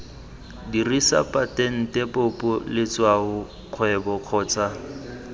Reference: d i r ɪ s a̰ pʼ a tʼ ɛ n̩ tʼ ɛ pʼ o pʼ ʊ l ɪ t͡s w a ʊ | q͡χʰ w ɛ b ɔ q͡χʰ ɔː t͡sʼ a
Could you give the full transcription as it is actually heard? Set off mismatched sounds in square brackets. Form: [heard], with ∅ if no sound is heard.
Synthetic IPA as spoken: d i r [i] s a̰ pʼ a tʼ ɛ n̩ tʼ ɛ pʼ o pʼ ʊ l ɪ t͡s w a ʊ | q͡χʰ w ɛ b ɔ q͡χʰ ɔː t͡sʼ a

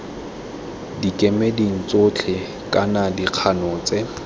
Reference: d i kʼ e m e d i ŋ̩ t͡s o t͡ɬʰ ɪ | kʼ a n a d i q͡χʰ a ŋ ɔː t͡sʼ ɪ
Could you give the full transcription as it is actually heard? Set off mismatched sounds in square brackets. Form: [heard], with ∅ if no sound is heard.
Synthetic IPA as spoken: d i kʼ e m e d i ŋ̩ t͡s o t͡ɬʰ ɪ | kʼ a n a d i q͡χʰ a [n] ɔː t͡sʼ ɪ

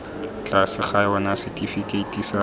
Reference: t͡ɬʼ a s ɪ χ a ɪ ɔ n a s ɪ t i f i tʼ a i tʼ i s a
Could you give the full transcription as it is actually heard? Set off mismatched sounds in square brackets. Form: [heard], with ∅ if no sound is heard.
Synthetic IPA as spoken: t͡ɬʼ a s ɪ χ a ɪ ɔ n a s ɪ t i f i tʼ [e] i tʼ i s a

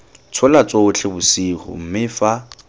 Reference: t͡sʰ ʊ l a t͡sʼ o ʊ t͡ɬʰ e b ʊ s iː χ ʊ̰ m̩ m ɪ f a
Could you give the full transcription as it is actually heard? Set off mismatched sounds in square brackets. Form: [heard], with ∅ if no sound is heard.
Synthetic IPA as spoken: t͡sʰ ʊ l a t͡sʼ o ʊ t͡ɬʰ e b ʊ s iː χ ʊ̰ m̩ m ɪ f a

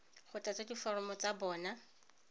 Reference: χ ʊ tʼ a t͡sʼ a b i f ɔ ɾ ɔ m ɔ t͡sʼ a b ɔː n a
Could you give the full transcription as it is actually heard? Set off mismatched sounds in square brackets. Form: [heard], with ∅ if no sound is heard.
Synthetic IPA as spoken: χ ʊ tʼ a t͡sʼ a [d] i f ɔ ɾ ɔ m ɔ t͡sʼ a b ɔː n a

